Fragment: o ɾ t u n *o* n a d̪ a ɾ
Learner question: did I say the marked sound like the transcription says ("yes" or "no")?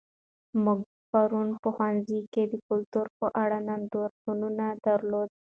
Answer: no